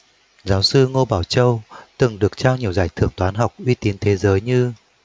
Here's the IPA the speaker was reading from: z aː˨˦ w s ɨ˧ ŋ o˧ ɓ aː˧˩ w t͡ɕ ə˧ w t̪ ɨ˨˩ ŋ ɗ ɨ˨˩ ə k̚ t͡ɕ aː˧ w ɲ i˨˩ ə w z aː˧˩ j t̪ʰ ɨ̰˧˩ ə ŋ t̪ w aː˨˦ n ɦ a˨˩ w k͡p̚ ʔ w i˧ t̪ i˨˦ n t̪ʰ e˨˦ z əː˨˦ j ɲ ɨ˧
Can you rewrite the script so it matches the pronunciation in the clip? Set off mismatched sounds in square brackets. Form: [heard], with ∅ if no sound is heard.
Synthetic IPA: z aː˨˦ w s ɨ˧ ŋ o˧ ɓ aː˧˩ w t͡ɕ ə˧ w t̪ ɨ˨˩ ŋ ɗ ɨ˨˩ ə k̚ t͡ɕ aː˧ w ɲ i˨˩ ə w z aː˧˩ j t̪ʰ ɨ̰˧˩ ə ŋ t̪ w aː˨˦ n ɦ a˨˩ w k͡p̚ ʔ w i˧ t̪ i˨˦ n t̪ʰ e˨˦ z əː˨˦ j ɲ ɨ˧